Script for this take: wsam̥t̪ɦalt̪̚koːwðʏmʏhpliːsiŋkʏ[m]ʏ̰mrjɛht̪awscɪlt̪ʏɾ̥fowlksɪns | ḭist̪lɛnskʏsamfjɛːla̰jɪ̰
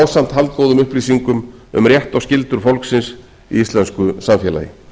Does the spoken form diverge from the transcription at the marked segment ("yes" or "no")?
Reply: no